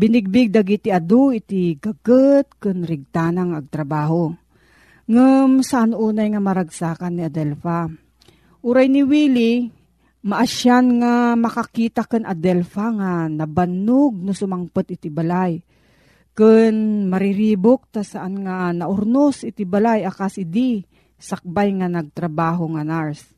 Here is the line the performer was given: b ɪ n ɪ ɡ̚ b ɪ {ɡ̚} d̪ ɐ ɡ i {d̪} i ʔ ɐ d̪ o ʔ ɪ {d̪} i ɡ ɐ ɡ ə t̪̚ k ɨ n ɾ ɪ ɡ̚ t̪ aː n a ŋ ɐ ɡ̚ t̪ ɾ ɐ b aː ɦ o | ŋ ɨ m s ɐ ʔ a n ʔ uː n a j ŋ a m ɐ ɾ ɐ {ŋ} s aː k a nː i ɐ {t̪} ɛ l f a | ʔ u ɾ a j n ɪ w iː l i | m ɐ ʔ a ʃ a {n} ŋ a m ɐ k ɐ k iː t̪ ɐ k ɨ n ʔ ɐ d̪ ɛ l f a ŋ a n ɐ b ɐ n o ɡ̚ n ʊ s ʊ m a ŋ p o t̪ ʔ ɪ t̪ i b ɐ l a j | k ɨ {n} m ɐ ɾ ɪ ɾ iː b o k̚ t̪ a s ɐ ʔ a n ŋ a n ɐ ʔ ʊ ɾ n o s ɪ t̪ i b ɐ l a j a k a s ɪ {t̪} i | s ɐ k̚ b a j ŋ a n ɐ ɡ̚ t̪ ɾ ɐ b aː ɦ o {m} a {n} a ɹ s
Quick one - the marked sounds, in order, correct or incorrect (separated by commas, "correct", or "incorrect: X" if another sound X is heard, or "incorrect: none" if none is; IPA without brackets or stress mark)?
correct, incorrect: t̪, incorrect: t̪, incorrect: ɡ, incorrect: d̪, correct, correct, incorrect: d̪, incorrect: ŋ, correct